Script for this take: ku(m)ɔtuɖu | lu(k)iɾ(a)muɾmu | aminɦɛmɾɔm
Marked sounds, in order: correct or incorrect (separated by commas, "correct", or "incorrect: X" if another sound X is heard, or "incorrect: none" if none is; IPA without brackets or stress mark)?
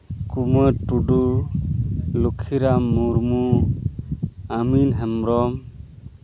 correct, incorrect: kʰ, correct